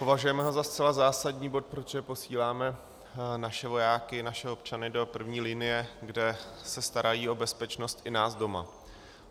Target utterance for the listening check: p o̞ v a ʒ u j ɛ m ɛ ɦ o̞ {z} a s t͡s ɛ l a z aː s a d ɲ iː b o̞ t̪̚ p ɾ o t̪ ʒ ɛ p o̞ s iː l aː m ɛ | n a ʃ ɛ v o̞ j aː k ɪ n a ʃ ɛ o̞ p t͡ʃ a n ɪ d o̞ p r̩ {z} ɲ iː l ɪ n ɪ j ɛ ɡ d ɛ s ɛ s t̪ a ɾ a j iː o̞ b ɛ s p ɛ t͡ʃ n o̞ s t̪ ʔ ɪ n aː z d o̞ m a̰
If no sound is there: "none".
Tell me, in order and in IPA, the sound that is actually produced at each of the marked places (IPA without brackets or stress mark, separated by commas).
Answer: z, v